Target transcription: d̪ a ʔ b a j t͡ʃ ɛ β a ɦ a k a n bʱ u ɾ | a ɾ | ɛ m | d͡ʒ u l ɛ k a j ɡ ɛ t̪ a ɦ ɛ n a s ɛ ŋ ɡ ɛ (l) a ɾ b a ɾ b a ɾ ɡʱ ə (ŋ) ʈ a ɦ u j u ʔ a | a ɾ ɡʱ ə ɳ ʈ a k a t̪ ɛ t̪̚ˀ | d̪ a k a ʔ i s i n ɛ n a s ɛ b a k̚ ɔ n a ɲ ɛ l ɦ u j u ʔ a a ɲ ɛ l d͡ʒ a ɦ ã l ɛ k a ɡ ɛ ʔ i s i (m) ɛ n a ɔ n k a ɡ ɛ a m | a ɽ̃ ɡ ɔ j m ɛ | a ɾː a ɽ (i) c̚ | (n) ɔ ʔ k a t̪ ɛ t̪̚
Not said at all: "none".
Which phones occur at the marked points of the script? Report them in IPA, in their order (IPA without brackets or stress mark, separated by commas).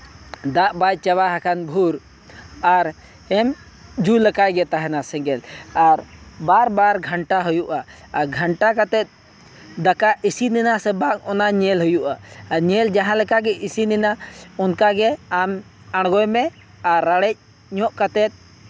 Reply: l, ɳ, n, ɛ, ɲ